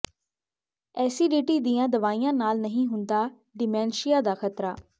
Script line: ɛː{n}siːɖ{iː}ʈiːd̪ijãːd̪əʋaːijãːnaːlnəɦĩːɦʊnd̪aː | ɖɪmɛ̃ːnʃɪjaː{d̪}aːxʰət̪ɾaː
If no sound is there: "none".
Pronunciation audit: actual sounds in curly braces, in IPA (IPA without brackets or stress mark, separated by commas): none, iː, d̪